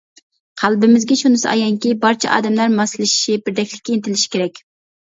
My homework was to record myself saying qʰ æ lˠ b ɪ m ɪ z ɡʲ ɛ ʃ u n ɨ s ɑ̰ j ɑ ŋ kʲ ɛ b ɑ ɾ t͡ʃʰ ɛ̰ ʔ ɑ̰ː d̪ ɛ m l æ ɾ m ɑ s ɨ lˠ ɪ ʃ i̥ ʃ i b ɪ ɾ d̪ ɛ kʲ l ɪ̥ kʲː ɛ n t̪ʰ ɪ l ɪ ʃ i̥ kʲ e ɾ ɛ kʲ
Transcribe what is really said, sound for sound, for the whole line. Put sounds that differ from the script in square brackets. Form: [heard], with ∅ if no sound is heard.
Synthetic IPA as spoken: qʰ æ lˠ b ɪ m ɪ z ɡʲ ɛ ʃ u n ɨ s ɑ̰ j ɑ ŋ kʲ [i] b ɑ ɾ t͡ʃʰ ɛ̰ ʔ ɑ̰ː d̪ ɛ m l æ ɾ m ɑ s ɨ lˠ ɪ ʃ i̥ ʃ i b ɪ ɾ d̪ ɛ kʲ l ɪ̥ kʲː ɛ n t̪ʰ ɪ l ɪ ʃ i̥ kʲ e ɾ ɛ kʲ